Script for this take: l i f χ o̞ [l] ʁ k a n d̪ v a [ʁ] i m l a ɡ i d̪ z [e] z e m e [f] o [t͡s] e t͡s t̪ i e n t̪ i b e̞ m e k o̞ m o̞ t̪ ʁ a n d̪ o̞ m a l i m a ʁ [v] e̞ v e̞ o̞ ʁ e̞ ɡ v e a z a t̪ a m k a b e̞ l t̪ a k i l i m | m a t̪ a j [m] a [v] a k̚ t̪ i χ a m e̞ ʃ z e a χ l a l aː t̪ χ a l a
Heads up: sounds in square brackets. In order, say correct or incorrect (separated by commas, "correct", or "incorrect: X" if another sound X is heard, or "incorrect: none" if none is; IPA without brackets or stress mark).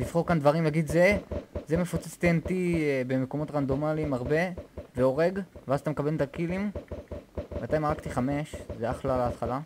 incorrect: none, correct, correct, correct, correct, incorrect: b, correct, incorrect: ʁ